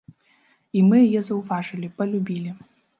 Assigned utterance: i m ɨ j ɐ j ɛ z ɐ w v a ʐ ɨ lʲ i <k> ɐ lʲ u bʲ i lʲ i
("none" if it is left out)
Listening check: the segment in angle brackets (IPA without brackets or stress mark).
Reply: p